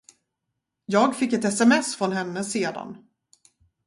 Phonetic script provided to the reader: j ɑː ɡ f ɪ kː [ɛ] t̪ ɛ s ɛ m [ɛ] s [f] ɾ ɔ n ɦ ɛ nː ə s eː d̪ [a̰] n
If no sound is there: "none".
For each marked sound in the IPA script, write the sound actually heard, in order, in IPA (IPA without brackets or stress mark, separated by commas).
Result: ɛ, ɛ, f, a̰